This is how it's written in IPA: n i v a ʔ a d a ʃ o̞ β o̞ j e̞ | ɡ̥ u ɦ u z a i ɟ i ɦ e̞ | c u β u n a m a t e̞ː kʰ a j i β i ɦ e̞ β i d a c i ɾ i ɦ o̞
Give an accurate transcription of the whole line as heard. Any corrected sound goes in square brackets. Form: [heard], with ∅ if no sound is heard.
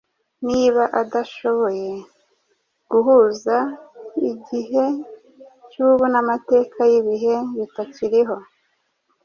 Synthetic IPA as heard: n i [β] a ʔ a d a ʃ o̞ β o̞ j e̞ | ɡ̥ u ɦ u z a i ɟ i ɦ e̞ | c u β u n a m a t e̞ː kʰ a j i β i ɦ e̞ β i [t] a c i ɾ i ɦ o̞